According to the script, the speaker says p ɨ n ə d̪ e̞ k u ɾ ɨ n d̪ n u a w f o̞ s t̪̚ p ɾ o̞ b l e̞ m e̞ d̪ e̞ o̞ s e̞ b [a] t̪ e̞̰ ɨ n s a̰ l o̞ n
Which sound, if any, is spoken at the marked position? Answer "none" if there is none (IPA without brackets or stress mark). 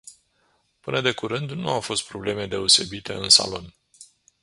i